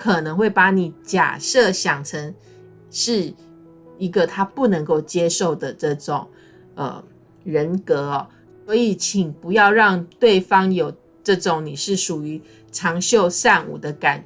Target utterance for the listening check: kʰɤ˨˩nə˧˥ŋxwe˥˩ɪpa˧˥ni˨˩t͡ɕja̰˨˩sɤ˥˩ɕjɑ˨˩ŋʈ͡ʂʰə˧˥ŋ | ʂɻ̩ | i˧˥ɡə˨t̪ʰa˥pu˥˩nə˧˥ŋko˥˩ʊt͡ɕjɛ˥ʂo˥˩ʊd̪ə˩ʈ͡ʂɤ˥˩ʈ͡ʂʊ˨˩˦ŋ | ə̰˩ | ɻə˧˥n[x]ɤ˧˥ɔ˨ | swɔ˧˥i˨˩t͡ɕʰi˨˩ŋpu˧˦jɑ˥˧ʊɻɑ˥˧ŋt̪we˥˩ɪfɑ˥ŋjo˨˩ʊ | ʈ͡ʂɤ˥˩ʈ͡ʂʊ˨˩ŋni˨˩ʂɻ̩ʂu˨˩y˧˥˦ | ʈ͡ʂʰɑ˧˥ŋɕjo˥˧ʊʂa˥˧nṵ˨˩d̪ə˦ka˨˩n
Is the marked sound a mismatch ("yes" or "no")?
yes